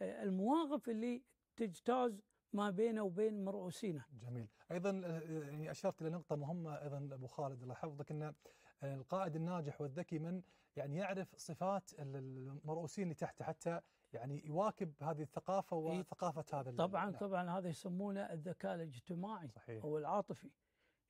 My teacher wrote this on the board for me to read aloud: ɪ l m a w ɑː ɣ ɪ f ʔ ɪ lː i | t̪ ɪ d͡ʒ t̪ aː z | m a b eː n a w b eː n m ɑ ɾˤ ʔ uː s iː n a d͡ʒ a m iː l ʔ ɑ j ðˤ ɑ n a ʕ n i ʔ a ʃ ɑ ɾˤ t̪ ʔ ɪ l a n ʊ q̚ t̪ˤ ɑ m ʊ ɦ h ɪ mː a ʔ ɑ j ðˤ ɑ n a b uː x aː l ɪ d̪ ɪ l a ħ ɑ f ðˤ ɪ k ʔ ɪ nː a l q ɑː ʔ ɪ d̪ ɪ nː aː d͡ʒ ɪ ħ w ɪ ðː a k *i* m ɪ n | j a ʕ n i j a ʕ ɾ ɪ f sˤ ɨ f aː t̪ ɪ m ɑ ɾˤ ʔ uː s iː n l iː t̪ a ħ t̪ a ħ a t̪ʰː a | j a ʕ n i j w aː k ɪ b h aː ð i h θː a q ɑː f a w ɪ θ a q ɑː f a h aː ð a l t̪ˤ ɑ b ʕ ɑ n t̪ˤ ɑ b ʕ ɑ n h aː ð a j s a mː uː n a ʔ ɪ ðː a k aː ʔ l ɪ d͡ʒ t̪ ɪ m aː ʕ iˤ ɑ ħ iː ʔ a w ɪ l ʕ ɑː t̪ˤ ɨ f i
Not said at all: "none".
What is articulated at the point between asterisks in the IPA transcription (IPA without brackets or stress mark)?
i